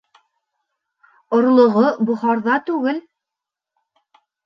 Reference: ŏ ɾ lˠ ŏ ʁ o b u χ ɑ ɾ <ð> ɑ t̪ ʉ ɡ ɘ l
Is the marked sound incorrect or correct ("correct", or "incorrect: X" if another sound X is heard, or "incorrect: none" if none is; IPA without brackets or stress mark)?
correct